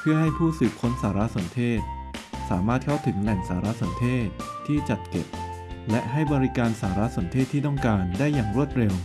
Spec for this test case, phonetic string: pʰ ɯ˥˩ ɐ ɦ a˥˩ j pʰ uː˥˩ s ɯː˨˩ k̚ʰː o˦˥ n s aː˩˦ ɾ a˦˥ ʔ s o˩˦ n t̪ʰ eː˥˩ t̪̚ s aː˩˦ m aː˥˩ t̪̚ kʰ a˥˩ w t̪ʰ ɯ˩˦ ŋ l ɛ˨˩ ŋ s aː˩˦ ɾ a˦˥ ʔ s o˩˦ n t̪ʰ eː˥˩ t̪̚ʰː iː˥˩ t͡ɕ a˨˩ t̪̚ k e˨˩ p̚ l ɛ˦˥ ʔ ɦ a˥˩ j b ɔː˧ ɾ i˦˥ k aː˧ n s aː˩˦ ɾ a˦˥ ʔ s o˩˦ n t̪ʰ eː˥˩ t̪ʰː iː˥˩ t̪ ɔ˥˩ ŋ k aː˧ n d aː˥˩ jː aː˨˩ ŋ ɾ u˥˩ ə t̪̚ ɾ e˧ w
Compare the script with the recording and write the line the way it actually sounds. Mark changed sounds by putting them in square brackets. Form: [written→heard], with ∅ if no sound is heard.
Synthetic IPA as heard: pʰ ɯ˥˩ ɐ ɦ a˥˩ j pʰ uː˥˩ s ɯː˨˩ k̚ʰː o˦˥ n s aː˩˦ ɾ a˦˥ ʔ s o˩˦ n t̪ʰ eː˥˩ t̪̚ s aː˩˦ m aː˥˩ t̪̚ kʰ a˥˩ w t̪ʰ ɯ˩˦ ŋ l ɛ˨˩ ŋ s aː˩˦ ɾ a˦˥ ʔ s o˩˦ n t̪ʰ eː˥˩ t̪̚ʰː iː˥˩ t͡ɕ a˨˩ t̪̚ k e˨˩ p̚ l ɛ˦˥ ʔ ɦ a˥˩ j b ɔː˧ ɾ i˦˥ k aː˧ n s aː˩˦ ɾ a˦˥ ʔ s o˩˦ n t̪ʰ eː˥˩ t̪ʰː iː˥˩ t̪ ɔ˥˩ ŋ k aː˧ n d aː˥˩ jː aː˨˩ ŋ ɾ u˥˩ ə t̪̚ ɾ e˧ w